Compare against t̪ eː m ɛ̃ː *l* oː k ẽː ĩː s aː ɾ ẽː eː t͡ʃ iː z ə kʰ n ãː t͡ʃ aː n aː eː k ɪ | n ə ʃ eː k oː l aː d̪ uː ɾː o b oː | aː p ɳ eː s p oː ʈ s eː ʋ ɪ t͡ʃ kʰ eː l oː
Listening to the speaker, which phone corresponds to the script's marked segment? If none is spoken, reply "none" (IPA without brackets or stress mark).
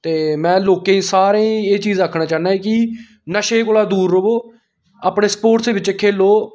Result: l